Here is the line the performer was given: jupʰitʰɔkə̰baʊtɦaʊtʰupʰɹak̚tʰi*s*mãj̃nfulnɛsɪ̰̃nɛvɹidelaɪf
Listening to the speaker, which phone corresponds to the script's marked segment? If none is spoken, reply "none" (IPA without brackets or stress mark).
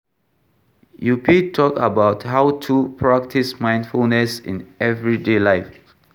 s